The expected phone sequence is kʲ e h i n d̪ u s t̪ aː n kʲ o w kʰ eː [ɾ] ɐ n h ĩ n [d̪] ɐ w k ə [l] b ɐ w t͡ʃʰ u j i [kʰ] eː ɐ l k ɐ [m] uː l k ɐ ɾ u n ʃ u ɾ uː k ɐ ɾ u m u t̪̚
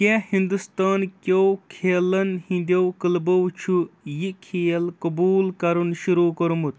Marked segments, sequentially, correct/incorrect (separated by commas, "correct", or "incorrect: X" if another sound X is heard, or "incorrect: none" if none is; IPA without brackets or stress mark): incorrect: l, correct, correct, correct, incorrect: b